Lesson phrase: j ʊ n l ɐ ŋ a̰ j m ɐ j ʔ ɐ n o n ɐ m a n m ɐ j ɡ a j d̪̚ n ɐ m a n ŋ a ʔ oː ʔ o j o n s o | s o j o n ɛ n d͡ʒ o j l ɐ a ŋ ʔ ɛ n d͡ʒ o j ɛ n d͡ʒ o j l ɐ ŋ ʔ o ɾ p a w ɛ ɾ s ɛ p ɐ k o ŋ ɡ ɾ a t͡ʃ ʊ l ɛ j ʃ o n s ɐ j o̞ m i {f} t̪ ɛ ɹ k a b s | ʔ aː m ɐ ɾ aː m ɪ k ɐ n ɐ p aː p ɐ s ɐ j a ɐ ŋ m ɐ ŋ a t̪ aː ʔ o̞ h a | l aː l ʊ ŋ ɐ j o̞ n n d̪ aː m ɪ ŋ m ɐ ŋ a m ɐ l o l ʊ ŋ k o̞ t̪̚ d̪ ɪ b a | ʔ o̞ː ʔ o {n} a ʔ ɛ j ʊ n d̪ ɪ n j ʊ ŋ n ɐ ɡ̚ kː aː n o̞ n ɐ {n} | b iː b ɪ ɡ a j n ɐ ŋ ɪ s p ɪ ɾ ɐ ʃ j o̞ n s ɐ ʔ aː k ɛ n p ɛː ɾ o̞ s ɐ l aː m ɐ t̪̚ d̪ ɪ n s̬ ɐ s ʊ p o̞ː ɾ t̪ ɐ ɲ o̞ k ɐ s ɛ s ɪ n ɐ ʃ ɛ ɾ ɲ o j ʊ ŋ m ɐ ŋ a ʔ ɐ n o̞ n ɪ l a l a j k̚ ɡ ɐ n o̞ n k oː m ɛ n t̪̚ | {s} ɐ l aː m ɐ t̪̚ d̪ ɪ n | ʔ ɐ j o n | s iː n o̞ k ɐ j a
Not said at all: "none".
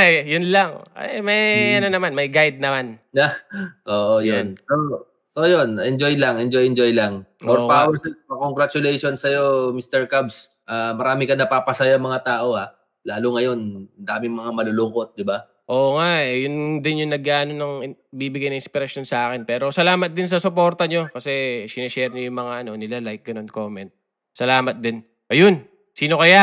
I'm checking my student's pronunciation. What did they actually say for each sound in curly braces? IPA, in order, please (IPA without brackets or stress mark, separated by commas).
s, ŋ, ŋ, s